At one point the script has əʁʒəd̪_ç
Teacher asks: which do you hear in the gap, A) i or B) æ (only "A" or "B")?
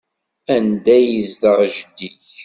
A